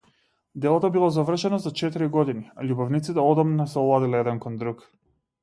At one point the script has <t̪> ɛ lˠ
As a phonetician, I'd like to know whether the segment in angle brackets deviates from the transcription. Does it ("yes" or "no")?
yes